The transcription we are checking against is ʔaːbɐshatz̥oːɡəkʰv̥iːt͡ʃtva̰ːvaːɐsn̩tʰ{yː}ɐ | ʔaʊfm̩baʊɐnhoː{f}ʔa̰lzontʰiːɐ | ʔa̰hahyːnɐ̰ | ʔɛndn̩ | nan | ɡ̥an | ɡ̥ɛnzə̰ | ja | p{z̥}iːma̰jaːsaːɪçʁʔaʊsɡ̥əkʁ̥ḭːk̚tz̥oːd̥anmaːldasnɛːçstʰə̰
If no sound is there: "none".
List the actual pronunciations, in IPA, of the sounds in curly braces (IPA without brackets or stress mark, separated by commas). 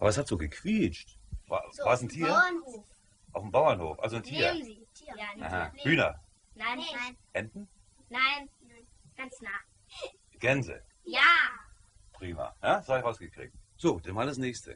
iː, f, ʁ̥